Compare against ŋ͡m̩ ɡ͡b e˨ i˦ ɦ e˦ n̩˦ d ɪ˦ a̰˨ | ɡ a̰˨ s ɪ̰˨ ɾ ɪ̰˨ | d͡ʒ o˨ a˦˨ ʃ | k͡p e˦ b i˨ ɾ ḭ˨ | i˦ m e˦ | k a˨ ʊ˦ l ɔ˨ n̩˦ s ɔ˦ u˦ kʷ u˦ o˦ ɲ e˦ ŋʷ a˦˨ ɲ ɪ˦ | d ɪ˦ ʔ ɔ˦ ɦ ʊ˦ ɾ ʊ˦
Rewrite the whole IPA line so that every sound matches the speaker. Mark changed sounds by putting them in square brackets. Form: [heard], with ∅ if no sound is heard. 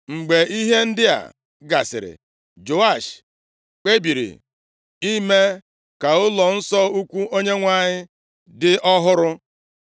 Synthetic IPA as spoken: ŋ͡m̩ ɡ͡b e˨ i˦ ɦ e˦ n̩˦ d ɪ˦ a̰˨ | ɡ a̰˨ s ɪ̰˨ ɾ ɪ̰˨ | d͡ʒ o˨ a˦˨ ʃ | k͡p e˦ b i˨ ɾ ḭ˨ | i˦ m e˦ | k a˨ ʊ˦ l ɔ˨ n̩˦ s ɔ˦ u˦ kʷ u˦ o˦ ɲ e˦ ŋʷ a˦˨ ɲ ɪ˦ | d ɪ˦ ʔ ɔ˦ ɦ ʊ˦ ɾ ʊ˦